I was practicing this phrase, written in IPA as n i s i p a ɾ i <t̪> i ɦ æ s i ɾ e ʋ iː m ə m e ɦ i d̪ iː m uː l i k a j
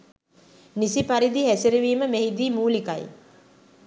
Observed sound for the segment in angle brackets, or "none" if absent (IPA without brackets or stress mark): d̪